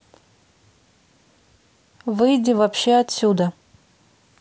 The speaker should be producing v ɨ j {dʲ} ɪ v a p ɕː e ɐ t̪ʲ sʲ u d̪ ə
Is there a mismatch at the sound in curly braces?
no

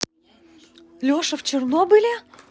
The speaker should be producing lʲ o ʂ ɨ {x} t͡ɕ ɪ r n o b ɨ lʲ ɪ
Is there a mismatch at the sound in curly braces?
yes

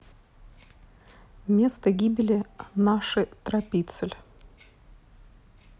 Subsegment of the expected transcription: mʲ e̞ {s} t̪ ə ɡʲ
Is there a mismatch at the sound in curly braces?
no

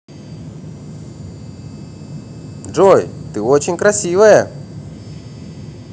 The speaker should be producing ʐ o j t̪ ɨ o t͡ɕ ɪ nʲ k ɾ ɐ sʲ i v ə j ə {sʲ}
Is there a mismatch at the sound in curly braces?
yes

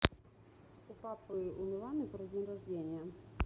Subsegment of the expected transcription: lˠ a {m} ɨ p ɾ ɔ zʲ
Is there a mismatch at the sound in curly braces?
yes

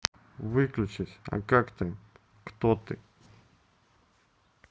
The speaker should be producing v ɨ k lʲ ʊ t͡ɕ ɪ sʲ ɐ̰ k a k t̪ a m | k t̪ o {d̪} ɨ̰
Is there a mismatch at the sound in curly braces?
yes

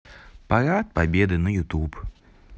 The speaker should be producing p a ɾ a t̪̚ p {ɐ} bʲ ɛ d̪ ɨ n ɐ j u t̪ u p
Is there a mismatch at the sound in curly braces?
yes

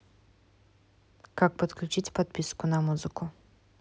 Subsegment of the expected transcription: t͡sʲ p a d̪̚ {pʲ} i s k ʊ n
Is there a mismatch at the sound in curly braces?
no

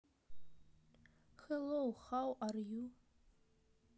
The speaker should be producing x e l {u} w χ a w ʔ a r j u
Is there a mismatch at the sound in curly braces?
yes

